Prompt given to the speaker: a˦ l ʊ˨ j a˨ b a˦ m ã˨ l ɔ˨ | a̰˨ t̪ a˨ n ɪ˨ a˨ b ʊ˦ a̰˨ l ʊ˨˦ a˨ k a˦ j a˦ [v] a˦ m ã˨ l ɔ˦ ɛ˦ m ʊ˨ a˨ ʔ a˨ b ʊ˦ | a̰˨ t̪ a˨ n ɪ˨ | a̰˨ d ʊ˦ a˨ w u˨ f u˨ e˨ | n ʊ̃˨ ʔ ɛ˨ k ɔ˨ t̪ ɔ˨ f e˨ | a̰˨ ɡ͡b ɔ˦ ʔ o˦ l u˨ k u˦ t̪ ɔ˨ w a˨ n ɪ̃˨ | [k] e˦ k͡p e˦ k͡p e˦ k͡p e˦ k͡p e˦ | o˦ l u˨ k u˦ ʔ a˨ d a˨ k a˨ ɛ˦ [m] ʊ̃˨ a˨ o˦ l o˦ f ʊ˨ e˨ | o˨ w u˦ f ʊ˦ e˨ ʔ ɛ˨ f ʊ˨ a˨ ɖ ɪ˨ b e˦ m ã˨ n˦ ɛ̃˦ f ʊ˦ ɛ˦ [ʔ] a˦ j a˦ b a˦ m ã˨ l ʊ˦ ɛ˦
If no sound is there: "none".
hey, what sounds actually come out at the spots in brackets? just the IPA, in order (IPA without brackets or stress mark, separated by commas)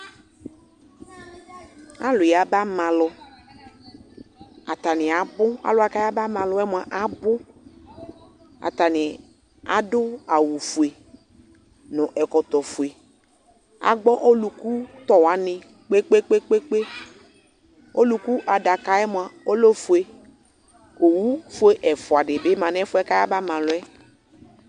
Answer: b, k͡p, m, k